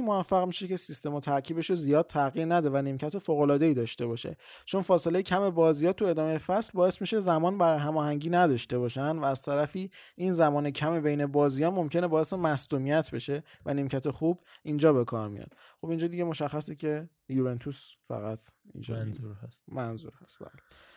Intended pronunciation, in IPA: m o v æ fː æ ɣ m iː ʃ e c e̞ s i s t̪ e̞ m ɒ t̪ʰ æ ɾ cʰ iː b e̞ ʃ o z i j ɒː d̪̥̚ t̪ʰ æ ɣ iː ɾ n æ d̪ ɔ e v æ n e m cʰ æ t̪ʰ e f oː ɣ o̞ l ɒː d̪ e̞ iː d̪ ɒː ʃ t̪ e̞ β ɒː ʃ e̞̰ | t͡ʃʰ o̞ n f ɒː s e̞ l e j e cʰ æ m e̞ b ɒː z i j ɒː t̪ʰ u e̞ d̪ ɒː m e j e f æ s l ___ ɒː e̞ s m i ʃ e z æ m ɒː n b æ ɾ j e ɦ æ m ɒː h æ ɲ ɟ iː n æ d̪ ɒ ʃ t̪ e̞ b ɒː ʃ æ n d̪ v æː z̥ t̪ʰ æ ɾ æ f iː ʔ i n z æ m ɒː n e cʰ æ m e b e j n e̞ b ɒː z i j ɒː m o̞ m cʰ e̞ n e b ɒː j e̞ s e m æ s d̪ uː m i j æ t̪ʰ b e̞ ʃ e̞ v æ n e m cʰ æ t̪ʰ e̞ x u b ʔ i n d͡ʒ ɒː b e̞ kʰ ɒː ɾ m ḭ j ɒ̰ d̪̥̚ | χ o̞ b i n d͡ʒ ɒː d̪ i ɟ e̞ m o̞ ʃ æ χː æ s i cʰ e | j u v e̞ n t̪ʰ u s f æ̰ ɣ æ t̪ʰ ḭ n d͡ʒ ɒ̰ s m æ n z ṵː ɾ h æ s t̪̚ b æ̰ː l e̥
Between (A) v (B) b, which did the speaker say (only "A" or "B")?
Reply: B